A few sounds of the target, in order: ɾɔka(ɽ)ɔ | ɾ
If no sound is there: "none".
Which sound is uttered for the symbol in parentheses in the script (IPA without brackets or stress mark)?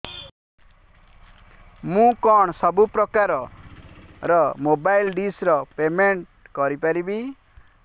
ɾ